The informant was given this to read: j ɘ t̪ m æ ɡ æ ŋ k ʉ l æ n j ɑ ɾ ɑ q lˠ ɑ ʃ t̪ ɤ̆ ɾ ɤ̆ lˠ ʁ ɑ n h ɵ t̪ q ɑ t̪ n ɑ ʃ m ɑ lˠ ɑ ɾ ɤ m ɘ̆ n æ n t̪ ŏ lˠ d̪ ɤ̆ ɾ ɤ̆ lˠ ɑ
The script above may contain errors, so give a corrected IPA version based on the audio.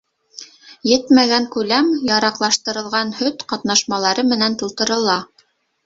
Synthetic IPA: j ɘ t̪ m æ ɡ æ ŋ k ʉ l æ m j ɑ ɾ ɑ q lˠ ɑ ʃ t̪ ɤ̆ ɾ ɤ̆ lˠ ʁ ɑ n h ɵ t̪ q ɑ t̪ n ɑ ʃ m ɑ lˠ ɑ ɾ ɤ m ɘ̆ n æ n t̪ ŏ lˠ t̪ ɤ̆ ɾ ɤ̆ lˠ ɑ